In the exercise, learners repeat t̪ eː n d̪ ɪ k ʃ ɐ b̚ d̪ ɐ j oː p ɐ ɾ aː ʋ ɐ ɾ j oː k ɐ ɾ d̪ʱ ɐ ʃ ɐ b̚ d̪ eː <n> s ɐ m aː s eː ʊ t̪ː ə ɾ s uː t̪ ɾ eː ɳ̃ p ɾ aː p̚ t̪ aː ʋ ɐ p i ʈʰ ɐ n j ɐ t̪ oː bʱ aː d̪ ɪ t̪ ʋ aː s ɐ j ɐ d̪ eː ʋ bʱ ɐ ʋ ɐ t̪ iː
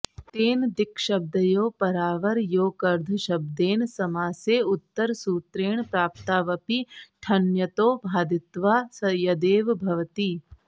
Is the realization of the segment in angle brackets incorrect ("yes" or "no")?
no